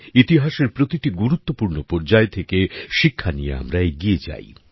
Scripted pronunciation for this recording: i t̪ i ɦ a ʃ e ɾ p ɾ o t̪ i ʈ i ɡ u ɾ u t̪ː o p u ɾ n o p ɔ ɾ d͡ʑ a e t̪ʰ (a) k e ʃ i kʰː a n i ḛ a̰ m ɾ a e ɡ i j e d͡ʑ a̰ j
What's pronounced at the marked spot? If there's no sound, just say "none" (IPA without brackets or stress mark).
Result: e